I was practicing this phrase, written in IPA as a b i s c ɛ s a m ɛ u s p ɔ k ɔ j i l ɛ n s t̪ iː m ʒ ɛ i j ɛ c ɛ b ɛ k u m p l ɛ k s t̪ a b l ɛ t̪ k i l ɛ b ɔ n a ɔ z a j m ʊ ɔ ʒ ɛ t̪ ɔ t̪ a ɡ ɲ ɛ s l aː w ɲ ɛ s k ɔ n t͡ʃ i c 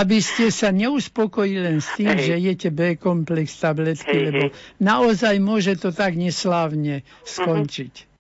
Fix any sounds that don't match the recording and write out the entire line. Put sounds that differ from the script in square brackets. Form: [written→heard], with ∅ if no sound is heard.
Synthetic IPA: a b i s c ɛ s a [m→ɲ] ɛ u s p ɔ k ɔ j i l ɛ n s t̪ iː m ʒ ɛ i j ɛ c ɛ b ɛ k [u→ɔ] m p l ɛ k s t̪ a b l ɛ t̪ k i l ɛ b ɔ n a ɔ z a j m ʊ ɔ ʒ ɛ t̪ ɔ t̪ a ɡ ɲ ɛ s l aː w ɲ ɛ s k ɔ n t͡ʃ i c